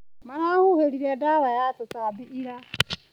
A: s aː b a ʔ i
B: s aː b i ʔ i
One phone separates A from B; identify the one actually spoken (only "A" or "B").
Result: B